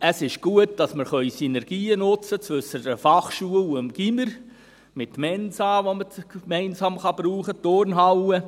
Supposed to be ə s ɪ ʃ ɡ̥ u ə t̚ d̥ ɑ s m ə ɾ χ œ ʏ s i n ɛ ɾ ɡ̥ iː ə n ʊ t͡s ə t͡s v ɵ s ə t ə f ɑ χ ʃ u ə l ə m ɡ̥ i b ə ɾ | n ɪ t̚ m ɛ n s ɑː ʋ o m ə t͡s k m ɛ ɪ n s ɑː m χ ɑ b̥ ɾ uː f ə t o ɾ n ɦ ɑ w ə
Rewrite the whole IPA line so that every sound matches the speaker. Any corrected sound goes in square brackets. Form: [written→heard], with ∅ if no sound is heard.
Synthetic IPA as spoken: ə s ɪ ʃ ɡ̥ u ə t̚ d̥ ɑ s m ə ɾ χ œ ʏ s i n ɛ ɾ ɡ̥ iː ə n ʊ t͡s ə t͡s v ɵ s ə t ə f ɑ χ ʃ u ə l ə m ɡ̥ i [b→m] ə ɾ | [n→m] ɪ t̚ m ɛ n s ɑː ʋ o m ə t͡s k m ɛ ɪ n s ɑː m χ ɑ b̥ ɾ uː [f→χ] ə t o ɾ n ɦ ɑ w ə